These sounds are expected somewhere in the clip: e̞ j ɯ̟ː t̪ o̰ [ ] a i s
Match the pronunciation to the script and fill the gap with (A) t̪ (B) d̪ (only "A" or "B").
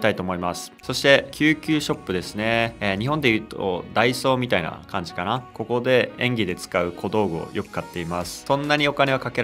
B